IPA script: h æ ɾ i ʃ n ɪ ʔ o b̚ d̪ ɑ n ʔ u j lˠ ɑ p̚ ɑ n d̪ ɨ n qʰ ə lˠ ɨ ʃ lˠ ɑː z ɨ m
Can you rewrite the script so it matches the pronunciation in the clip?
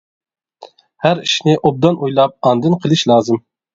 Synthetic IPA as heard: h æ ɾ i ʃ n ɪ ʔ o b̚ d̪ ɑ n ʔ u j lˠ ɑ p̚ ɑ n d̪ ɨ n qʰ ə lˠ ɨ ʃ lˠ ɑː z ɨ m